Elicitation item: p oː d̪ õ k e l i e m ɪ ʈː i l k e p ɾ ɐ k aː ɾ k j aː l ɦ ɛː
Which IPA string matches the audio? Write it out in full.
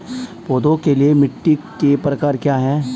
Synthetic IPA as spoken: p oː d̪ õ k e l i e m ɪ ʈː i k e p ɾ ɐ k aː ɾ k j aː ɦ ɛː